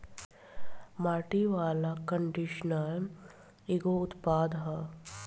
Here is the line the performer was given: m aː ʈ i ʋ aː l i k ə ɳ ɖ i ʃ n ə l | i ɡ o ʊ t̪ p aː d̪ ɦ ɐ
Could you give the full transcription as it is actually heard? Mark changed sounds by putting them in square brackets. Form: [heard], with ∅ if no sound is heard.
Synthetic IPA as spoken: m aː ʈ i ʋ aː l [a] k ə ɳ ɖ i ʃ n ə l | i ɡ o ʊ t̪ p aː d̪ ɦ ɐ